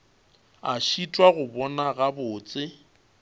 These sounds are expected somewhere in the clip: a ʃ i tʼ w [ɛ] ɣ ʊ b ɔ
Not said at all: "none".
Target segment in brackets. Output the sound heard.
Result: a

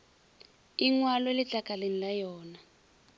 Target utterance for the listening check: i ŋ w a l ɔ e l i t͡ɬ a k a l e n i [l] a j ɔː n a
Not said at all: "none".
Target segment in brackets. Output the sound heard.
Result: l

